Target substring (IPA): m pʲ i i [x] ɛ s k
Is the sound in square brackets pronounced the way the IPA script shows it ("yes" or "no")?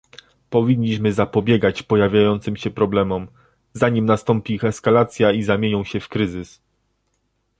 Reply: yes